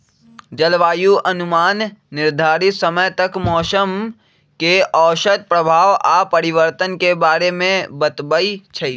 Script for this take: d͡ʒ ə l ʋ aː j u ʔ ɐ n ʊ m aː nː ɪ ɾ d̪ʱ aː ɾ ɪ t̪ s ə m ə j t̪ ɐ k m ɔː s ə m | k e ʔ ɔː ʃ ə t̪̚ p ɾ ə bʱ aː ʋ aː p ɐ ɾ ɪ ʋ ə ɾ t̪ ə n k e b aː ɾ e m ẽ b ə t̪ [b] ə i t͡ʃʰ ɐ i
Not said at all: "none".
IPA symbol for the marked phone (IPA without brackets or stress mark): b